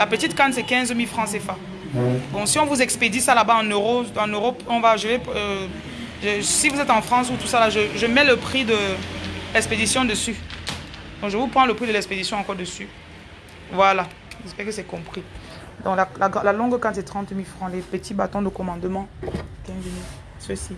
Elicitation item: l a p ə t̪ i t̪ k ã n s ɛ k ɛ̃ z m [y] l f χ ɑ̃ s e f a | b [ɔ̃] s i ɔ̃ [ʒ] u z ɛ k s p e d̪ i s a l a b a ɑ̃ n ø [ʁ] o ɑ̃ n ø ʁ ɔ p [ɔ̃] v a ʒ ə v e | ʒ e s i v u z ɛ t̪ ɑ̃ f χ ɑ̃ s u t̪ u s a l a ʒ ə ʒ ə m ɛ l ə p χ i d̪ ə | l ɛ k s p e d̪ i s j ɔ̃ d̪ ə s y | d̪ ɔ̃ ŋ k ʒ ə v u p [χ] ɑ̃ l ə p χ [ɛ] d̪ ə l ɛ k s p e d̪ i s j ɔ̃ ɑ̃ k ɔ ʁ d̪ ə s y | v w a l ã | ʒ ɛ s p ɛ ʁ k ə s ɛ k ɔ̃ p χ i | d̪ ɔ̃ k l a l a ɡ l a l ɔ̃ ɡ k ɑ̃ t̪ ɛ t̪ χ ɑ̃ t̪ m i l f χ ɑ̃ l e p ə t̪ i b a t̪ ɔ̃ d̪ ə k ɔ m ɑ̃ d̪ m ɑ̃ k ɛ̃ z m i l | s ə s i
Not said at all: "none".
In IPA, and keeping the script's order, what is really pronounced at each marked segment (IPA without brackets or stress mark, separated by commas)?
i, ɔ̃, v, ʁ, ɔ̃, χ, i